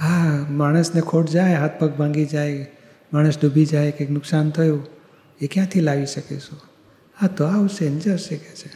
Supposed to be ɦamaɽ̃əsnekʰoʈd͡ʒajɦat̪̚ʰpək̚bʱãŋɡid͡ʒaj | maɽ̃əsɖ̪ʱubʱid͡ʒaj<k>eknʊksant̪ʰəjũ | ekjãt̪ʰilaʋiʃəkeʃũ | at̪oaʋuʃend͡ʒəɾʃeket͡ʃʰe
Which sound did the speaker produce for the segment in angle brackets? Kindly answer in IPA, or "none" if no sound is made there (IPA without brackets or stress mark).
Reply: k